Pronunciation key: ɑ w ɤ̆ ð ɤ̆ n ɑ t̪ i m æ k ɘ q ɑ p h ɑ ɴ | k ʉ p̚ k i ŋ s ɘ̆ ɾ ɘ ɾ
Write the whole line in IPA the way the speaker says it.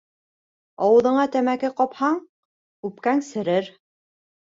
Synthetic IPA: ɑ w ɤ̆ ð ɤ̆ ɴ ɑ t̪ æ m æ k ɘ q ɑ p h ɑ ɴ | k ʉ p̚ k æ ŋ s ɘ̆ ɾ ɘ ɾ